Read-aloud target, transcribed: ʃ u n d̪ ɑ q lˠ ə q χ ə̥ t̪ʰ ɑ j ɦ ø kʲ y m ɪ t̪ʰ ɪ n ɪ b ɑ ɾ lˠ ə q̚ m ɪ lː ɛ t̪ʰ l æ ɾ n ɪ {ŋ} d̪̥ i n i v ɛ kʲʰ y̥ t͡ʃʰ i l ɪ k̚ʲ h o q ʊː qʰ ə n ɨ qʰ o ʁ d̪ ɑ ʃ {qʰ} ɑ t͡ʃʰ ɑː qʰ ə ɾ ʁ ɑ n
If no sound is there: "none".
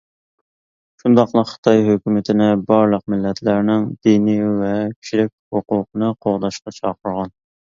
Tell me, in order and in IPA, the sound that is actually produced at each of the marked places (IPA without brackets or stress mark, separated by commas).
ŋ, q